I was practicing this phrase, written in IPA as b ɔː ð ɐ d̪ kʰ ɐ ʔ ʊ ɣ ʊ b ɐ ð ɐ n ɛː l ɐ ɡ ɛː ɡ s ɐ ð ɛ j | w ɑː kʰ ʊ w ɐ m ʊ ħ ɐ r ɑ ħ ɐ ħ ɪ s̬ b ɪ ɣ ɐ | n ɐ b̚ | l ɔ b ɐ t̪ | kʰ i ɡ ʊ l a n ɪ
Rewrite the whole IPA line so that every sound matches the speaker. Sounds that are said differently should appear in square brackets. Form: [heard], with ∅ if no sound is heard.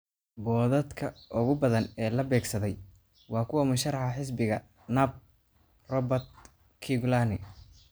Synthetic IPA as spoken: b ɔː ð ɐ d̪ kʰ ɐ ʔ ʊ ɣ ʊ b ɐ ð ɐ n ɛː l ɐ [b] ɛː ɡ s ɐ ð ɛ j | w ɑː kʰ ʊ w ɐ m ʊ [ʃ] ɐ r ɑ ħ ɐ ħ ɪ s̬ b ɪ ɣ ɐ | n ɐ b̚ | [r] ɔ b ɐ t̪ | kʰ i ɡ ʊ l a n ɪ